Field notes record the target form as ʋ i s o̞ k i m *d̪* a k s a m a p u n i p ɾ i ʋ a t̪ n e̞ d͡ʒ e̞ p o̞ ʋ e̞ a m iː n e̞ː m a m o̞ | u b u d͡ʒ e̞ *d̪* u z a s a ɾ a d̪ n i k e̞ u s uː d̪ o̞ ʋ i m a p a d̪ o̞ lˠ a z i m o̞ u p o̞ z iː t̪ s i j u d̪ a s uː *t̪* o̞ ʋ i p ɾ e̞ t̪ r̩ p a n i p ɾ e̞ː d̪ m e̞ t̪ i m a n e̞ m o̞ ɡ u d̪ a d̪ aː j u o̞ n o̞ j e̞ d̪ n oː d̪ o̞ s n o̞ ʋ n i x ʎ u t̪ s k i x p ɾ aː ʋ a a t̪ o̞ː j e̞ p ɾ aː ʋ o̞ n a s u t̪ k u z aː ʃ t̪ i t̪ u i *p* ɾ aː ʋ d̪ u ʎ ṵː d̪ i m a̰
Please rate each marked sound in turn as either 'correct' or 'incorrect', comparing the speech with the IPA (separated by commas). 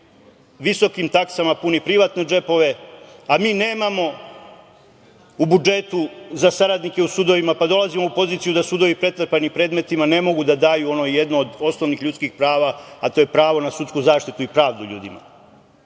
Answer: incorrect, incorrect, incorrect, correct